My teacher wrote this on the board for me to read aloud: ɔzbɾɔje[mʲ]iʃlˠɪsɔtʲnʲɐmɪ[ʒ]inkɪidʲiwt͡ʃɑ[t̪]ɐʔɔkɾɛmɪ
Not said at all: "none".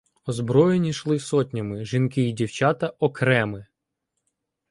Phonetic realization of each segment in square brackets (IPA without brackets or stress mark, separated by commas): nʲ, ʒ, t̪